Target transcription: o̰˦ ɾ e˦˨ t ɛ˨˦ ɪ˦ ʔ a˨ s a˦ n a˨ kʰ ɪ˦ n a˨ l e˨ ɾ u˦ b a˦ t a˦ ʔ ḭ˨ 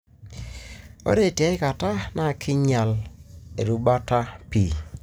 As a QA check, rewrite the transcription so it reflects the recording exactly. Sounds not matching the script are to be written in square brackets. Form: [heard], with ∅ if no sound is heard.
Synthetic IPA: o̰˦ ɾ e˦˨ t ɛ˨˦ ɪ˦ [k] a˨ [t] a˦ n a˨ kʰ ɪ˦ [ɲ] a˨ l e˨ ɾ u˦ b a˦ t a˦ [p] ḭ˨

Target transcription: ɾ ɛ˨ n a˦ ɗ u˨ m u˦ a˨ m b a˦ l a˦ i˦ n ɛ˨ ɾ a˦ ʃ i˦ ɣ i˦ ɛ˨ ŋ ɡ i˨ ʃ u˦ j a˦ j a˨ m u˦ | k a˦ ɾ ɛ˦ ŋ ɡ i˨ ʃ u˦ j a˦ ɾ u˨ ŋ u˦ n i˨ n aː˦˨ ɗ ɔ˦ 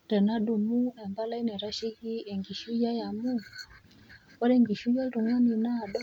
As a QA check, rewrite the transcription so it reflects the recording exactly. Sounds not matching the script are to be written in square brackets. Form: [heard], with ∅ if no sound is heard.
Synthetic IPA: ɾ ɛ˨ n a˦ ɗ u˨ m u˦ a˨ m b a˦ l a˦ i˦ n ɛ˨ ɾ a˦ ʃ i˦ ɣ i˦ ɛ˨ ŋ ɡ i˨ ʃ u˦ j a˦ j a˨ m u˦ | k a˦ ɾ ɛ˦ ŋ ɡ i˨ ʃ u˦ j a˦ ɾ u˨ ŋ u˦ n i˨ n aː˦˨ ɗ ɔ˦

